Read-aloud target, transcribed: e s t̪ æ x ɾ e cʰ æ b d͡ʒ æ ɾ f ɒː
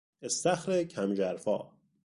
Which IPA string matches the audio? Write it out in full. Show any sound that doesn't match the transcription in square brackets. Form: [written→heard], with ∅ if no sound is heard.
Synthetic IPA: e s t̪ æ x ɾ e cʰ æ [b→m] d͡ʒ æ ɾ f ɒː